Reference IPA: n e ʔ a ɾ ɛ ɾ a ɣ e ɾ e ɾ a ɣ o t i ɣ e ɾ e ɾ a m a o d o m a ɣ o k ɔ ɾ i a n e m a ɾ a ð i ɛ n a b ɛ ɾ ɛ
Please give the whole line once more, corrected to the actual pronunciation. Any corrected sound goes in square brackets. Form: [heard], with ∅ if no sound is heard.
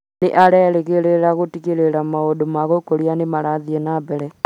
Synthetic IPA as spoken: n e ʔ a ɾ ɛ ɾ [e] ɣ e ɾ e ɾ a ɣ o t i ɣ e ɾ e ɾ a m a o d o m a ɣ o k [o] ɾ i a n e m a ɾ a ð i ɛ n a b ɛ ɾ ɛ